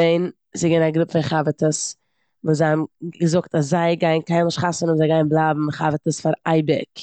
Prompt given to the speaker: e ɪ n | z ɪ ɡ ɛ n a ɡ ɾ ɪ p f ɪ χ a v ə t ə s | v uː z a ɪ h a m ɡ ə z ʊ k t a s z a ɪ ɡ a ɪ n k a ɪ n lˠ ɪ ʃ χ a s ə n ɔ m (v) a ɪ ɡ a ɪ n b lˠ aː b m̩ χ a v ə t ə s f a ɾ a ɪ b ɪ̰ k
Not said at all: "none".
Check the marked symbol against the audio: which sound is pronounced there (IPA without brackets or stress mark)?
z